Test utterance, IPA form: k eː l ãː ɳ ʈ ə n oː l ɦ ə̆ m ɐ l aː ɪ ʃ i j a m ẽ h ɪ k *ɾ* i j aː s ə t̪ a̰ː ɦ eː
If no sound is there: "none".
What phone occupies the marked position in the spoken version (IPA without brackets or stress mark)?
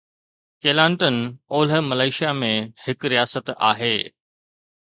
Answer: ɾ